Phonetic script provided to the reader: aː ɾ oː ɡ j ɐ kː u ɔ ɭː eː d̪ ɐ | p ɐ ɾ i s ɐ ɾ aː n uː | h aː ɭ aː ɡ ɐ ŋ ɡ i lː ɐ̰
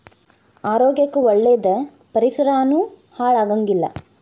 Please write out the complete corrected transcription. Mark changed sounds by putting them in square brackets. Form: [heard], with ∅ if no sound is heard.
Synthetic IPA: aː ɾ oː ɡ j ɐ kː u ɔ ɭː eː d̪ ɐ | p ɐ ɾ i s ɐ ɾ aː n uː | h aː ɭ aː ɡ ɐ ŋ ɡ i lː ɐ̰

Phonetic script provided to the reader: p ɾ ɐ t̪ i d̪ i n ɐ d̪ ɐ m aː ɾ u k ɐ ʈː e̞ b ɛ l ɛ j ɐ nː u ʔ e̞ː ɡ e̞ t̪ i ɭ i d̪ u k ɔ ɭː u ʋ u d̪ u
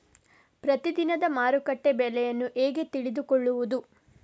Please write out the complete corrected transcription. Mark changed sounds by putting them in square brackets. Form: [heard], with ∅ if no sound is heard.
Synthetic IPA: p ɾ ɐ t̪ i d̪ i n ɐ d̪ ɐ m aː ɾ u k ɐ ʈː e̞ b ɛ l ɛ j ɐ nː u ʔ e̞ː ɡ e̞ t̪ i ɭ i d̪ u k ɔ ɭː u ʋ u d̪ u

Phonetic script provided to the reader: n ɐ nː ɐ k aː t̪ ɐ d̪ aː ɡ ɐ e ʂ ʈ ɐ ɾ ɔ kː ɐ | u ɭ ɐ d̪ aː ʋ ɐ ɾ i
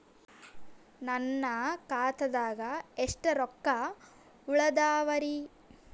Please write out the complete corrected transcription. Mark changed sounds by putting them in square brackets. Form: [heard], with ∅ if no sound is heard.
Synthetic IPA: n ɐ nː ɐ k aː t̪ ɐ d̪ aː ɡ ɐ e ʂ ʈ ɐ ɾ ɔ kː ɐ | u ɭ ɐ d̪ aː ʋ ɐ ɾ i

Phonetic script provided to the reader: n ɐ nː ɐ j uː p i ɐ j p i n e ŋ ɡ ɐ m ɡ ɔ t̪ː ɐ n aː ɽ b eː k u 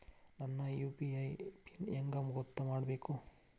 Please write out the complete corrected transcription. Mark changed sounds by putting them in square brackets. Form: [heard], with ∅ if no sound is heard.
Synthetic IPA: n ɐ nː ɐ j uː p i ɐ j p i n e ŋ ɡ ɐ m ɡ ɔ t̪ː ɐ [m] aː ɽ b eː k u

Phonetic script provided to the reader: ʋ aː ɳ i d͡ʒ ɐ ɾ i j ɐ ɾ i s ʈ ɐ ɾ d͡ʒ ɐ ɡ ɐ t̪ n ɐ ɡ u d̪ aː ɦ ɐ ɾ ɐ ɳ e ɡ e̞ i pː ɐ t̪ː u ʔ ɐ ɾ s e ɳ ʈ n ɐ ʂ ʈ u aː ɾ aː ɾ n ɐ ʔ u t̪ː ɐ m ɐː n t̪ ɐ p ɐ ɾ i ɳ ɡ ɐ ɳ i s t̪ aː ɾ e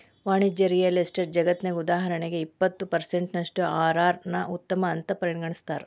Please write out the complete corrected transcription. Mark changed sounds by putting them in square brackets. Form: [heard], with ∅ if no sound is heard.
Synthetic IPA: ʋ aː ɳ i d͡ʒ ɐ ɾ i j ɐ [l] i s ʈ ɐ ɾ d͡ʒ ɐ ɡ ɐ t̪ n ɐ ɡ u d̪ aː ɦ ɐ ɾ ɐ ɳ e ɡ e̞ i pː ɐ t̪ː u [p] ɐ ɾ s e ɳ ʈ n ɐ ʂ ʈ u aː ɾ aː ɾ n ɐ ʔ u t̪ː ɐ m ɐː n t̪ ɐ p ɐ ɾ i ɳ ɡ ɐ ɳ i s t̪ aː ɾ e

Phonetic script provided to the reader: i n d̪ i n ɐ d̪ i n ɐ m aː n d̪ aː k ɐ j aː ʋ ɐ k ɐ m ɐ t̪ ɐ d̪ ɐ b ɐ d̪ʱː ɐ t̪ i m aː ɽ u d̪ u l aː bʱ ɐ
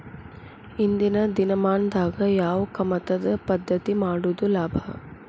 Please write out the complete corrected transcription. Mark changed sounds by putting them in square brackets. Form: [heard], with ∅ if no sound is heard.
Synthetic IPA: i n d̪ i n ɐ d̪ i n ɐ m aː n d̪ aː [ɡ] ɐ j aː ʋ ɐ k ɐ m ɐ t̪ ɐ d̪ ɐ [p] ɐ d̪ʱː ɐ t̪ i m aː ɽ u d̪ u l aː bʱ ɐ

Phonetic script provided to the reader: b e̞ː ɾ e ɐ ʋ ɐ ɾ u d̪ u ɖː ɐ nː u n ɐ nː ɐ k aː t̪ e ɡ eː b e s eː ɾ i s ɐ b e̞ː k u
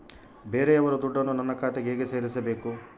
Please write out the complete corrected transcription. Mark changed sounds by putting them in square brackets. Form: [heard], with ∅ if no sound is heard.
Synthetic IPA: b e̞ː ɾ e ɐ ʋ ɐ ɾ u d̪ u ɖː ɐ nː u n ɐ nː ɐ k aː t̪ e ɡ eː [ɡ] e s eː ɾ i s ɐ b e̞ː k u

